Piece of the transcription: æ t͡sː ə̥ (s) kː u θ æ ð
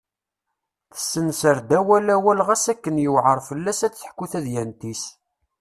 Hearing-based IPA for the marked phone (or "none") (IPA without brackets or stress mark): ħ